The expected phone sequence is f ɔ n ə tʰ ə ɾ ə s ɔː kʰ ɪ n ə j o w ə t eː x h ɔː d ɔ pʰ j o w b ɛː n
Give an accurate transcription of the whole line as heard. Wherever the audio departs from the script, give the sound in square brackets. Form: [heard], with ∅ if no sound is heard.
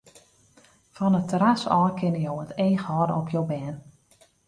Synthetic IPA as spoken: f ɔ n ə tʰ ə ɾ [a] s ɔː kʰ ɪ n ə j o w ə t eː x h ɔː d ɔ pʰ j o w b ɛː n